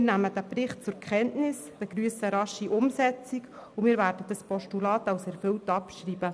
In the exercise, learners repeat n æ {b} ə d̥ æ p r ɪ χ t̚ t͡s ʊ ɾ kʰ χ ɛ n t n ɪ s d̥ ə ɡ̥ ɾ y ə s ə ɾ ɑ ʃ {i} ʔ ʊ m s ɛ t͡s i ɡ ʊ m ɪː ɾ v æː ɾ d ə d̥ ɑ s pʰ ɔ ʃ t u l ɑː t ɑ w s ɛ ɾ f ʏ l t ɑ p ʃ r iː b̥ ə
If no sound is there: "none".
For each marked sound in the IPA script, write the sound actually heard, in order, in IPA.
m, i

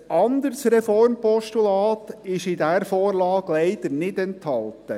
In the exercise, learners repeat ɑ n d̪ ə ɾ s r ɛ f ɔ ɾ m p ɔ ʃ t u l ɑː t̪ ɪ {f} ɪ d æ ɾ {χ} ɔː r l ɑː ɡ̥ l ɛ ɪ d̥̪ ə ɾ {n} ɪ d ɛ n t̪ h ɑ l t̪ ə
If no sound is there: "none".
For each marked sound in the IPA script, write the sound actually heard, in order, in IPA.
ʃ, f, n

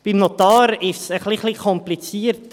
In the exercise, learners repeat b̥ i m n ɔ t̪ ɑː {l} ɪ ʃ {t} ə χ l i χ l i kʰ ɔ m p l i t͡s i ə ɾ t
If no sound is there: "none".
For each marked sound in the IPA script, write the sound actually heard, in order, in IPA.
ɾ, s

